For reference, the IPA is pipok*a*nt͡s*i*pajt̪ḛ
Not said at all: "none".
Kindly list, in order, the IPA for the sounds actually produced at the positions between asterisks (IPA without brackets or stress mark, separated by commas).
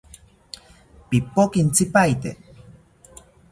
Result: i, i